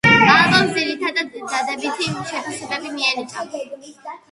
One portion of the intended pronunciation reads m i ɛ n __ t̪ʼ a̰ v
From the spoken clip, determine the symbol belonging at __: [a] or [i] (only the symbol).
i